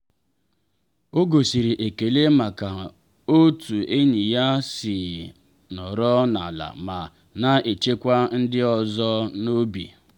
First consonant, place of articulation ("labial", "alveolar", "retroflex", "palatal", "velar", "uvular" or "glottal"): velar